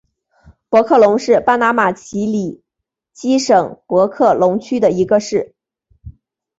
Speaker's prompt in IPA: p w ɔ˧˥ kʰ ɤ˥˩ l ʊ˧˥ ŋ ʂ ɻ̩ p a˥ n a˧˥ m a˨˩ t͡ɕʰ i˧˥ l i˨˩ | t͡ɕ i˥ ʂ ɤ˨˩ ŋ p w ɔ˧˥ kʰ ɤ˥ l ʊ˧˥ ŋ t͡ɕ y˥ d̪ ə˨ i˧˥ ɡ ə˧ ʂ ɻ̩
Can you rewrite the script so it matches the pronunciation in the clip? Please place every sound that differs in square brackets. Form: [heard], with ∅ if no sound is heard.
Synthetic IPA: p w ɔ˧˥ kʰ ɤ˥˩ l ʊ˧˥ ŋ ʂ ɻ̩ p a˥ n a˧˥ m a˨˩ t͡ɕʰ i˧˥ l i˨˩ | t͡ɕ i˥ ʂ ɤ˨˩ ŋ p w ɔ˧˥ kʰ [ɤ˥˩] l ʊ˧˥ ŋ [t͡ɕʰ] y˥ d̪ ə˨ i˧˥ ɡ ə˧ ʂ ɻ̩